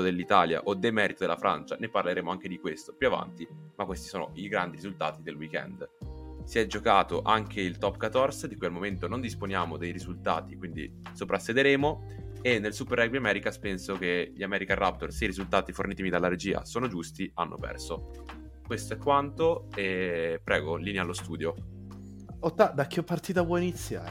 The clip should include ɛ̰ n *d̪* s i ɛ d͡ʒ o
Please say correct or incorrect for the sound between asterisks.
correct